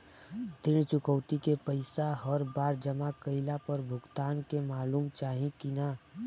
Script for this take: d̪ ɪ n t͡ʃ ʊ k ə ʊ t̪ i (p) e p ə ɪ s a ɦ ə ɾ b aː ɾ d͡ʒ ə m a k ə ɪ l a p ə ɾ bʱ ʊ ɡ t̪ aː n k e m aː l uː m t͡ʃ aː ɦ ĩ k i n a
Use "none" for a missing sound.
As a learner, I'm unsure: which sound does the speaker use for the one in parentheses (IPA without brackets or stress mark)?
k